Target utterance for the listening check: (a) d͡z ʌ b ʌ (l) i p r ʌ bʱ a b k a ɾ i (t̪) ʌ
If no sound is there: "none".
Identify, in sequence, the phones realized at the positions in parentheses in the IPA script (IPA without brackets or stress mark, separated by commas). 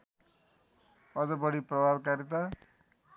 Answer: ʌ, ɽ, t̪